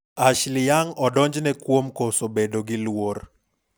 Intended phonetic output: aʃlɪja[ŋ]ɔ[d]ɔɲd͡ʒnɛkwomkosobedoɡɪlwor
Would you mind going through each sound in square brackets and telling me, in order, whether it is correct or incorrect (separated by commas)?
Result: correct, correct